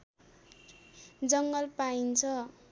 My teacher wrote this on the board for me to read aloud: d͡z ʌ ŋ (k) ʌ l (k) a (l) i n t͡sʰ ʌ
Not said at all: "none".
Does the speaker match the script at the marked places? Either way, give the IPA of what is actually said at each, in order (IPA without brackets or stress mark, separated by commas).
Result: ɡ, p, none